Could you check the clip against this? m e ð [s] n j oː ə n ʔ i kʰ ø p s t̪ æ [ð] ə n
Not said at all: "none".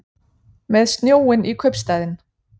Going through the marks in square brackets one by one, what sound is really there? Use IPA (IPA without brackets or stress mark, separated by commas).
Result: s, ð